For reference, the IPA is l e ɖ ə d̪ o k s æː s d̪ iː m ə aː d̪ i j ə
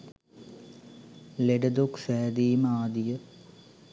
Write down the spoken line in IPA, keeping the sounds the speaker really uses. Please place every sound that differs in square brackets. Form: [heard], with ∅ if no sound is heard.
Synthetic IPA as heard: l e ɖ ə d̪ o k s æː [∅] d̪ iː m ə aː d̪ i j ə